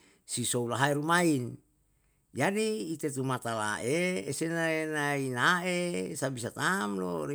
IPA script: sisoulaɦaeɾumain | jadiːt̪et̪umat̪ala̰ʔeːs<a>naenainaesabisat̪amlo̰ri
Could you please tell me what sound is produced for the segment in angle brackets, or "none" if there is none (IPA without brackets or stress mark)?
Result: e